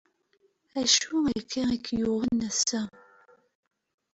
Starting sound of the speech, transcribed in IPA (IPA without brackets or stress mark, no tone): æ